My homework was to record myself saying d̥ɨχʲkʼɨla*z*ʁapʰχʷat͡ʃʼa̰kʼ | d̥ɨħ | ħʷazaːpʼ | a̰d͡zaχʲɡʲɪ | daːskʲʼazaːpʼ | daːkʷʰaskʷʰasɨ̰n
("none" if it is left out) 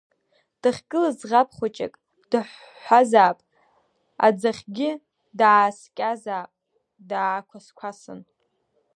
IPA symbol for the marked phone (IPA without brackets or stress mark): z